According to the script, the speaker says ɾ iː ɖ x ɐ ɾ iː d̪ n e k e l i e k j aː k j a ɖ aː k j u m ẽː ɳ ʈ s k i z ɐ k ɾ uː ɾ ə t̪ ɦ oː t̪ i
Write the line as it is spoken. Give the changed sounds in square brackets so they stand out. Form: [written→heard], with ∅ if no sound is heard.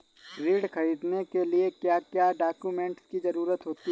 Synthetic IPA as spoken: ɾ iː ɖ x ɐ ɾ iː d̪ n e k e l i e k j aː k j a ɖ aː k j u m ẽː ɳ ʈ s k i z ɐ [k→∅] ɾ uː ɾ ə t̪ ɦ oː t̪ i